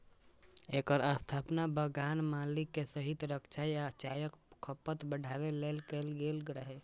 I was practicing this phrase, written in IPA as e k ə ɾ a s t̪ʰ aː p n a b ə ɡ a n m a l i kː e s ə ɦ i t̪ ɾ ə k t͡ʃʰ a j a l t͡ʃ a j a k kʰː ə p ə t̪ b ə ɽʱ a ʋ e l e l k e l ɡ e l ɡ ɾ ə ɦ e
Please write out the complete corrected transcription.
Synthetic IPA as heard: e k ə ɾ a s t̪ʰ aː p n a b ə ɡ a n m a l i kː e s ə ɦ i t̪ ɾ ə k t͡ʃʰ a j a t͡ʃ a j ə k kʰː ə p ə t̪ b ə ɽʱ a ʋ e l e l k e l ɡ e l ɡ ɾ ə ɦ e